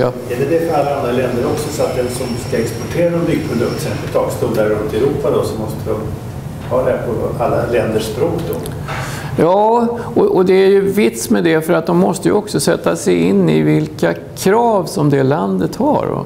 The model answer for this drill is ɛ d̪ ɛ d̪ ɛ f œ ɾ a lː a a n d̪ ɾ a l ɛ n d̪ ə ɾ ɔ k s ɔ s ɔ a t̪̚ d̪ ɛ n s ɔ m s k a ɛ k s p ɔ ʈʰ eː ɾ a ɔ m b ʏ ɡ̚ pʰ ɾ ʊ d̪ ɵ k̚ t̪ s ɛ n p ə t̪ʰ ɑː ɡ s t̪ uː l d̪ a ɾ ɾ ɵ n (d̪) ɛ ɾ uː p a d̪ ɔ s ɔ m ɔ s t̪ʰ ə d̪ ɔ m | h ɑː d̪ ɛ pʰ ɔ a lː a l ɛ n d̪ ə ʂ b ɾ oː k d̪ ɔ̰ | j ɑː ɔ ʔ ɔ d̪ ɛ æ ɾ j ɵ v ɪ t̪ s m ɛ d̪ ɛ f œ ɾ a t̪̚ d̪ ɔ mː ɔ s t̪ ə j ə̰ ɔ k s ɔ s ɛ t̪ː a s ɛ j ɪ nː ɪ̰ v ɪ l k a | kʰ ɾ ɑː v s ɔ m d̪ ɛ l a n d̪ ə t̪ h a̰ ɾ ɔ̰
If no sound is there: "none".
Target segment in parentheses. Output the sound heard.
t̪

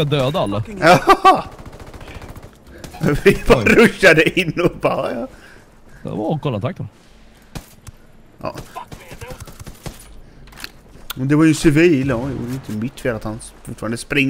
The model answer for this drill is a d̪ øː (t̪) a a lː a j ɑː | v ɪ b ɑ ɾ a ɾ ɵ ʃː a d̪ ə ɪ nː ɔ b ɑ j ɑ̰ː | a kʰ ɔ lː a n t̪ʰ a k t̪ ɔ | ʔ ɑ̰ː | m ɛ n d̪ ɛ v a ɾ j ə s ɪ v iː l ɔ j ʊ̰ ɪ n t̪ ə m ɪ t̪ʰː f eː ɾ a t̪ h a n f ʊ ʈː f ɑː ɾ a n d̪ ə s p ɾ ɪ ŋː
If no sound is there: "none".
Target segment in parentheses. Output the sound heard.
d̪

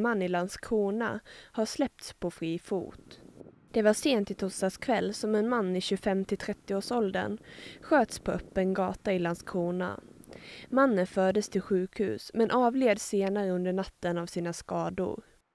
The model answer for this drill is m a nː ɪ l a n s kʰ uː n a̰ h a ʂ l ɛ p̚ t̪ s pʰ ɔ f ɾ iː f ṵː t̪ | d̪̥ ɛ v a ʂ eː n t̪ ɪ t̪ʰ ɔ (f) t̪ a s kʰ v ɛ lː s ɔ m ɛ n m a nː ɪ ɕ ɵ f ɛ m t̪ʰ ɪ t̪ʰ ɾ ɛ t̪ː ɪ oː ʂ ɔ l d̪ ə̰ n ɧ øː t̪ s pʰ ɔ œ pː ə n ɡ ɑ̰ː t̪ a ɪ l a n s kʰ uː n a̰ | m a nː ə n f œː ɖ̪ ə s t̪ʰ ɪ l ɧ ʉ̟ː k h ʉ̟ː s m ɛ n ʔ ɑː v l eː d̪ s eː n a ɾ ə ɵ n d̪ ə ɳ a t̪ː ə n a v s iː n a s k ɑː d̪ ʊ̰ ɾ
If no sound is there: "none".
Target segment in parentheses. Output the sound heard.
s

